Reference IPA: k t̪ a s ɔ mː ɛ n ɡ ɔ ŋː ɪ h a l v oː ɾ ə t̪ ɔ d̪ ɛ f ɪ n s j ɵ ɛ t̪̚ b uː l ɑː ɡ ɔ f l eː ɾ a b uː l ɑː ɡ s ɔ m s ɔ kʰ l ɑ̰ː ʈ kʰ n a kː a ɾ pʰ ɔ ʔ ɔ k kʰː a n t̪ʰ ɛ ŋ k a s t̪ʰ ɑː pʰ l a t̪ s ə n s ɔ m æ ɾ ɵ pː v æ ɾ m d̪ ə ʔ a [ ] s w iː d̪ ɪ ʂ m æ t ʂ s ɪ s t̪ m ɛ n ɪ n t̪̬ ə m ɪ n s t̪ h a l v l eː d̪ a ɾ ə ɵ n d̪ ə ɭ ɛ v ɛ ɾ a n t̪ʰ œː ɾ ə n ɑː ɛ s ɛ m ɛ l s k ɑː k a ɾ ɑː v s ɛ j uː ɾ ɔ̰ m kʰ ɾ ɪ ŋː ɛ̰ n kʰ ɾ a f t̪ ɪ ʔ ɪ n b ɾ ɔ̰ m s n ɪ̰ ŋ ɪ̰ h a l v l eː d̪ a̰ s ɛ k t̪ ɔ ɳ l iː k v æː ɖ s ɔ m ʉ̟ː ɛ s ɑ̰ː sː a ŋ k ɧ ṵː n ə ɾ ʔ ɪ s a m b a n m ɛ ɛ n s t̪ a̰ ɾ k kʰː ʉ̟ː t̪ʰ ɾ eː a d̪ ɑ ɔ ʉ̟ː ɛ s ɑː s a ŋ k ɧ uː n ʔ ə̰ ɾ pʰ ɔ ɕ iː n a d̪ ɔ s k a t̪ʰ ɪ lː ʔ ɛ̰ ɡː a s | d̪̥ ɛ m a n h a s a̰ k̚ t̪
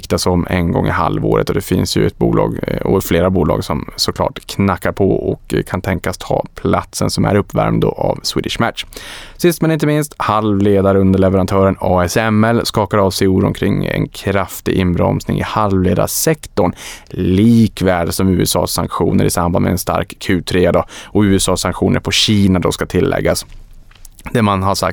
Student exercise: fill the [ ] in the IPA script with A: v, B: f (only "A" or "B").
A